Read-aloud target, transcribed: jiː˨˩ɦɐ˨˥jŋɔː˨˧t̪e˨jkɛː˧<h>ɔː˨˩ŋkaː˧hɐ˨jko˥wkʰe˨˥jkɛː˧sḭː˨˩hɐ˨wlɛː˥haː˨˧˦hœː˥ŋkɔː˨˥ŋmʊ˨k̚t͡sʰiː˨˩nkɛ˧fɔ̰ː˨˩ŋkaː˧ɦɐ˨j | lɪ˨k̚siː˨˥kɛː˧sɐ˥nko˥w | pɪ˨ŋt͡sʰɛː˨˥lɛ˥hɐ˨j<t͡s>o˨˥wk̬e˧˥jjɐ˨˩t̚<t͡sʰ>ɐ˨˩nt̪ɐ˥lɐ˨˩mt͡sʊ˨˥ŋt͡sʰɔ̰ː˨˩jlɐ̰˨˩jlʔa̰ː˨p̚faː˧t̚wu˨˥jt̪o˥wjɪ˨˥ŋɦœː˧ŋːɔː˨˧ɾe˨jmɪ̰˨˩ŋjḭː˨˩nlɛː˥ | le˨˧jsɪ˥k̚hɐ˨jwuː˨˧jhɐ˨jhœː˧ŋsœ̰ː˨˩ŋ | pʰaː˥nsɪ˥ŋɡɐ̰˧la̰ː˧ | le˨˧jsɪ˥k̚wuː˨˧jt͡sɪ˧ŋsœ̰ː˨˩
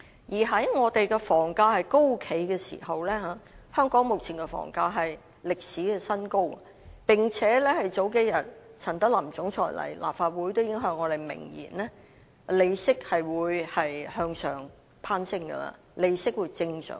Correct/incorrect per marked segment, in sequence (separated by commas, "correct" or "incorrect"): incorrect, correct, correct